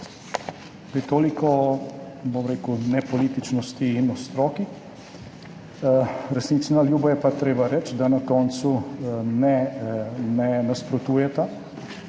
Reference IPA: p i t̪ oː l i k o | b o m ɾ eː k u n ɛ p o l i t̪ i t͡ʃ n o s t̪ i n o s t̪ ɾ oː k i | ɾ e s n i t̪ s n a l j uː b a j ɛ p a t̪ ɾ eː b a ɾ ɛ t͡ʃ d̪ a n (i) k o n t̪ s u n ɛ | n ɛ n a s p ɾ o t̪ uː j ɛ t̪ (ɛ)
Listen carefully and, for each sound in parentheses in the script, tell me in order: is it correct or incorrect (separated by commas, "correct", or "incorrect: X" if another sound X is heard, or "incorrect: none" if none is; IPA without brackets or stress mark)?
incorrect: a, incorrect: a